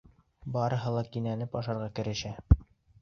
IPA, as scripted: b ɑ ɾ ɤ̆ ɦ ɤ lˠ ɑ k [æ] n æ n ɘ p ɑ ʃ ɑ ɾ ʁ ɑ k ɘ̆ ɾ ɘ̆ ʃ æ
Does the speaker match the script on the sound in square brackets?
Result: no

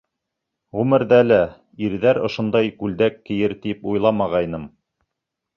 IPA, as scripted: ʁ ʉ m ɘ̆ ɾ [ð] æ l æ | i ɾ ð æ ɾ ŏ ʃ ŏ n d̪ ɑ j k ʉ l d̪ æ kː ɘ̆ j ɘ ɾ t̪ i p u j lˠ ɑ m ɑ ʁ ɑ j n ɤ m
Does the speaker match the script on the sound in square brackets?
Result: yes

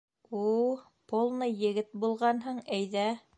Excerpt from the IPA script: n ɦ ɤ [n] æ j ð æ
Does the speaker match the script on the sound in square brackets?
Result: no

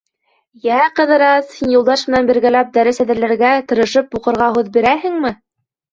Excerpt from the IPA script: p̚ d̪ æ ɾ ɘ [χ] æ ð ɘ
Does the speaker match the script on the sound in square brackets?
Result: no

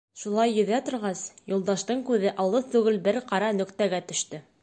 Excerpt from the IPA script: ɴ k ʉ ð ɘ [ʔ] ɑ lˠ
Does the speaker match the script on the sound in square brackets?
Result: yes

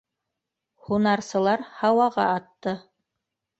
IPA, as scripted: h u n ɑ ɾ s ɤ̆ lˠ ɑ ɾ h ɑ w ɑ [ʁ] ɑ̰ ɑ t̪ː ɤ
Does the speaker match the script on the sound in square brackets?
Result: yes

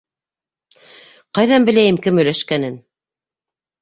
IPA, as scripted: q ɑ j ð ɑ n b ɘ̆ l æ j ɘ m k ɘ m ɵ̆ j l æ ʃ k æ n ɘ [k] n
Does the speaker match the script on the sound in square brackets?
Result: no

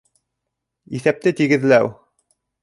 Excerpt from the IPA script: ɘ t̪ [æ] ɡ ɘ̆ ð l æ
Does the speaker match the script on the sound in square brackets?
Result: no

